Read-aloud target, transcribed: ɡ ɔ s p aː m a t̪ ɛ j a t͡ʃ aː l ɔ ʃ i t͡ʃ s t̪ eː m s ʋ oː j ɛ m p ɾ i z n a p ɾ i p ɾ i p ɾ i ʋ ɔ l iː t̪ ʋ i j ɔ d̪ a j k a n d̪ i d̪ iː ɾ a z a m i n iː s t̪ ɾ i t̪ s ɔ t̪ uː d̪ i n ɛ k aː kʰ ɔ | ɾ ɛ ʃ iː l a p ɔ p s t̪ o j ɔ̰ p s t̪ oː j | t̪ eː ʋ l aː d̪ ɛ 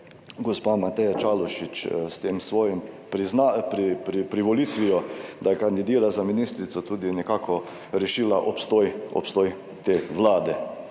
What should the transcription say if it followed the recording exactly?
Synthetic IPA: ɡ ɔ s p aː m a t̪ ɛ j a t͡ʃ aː l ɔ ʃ i t͡ʃ s t̪ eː m s ʋ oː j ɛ m p ɾ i z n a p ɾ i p ɾ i p ɾ i ʋ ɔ l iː t̪ ʋ i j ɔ d̪ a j k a n d̪ i d̪ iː ɾ a z a m i n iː s t̪ ɾ i t̪ s ɔ t̪ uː d̪ i n ɛ k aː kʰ ɔ | ɾ ɛ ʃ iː l a ʔ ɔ p s t̪ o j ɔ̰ p s t̪ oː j | t̪ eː ʋ l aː d̪ ɛ